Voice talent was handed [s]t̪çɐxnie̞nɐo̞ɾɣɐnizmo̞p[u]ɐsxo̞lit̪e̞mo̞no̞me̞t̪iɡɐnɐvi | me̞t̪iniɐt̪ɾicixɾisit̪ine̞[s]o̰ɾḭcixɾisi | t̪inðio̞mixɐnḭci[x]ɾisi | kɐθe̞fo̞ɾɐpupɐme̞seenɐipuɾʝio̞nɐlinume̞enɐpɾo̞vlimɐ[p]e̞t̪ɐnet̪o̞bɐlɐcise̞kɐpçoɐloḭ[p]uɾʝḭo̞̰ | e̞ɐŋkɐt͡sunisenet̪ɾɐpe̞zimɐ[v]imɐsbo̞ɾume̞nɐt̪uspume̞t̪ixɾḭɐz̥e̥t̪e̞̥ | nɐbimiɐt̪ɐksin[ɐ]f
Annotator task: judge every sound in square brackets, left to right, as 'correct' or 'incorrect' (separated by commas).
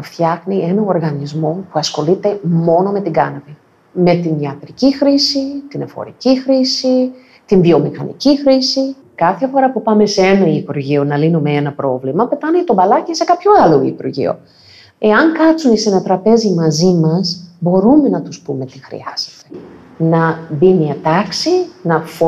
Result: incorrect, correct, incorrect, correct, correct, correct, incorrect, correct